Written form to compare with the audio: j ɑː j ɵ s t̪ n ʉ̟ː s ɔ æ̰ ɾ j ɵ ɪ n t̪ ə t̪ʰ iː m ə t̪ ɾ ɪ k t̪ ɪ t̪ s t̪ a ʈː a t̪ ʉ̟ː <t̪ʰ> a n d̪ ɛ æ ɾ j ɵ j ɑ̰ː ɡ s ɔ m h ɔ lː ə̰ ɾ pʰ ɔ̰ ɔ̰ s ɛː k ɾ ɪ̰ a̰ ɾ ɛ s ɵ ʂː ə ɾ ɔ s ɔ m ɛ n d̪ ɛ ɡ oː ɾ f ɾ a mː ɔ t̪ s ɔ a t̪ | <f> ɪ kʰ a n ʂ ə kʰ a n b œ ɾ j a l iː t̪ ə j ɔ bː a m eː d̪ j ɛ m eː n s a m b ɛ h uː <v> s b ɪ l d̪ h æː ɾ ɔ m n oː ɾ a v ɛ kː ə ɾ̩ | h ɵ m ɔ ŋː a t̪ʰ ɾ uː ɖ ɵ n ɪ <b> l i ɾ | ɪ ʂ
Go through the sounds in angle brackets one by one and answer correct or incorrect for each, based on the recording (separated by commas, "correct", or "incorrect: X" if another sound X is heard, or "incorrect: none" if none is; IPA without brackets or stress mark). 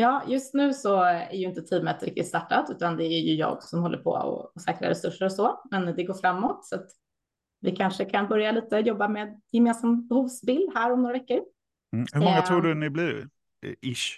incorrect: t̪, incorrect: v, correct, correct